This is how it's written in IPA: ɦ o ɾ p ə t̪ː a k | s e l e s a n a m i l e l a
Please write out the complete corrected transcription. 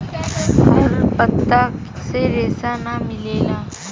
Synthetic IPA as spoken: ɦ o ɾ p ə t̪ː a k | s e ɾ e s a n a m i l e l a